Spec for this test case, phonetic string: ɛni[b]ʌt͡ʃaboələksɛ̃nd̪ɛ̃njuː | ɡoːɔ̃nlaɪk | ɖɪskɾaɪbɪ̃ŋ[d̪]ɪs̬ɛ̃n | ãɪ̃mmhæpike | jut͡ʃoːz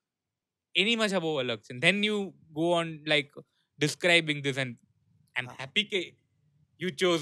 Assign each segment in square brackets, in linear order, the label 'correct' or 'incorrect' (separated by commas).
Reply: incorrect, correct